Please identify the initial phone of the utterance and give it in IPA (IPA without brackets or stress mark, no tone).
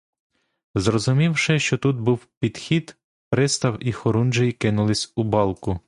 z